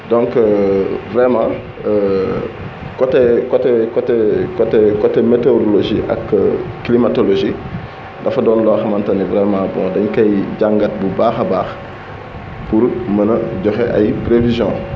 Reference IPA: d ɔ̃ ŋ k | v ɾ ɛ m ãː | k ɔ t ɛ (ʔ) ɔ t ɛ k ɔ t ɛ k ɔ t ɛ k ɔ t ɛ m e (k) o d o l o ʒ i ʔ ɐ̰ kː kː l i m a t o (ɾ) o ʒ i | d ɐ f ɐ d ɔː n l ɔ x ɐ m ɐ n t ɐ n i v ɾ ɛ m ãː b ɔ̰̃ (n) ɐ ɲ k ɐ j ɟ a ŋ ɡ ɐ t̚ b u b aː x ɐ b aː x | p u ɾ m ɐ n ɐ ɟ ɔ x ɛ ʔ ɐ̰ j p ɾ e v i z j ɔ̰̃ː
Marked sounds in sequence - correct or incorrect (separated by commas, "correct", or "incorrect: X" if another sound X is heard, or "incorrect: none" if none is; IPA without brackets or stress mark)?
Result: incorrect: k, incorrect: t, incorrect: l, incorrect: d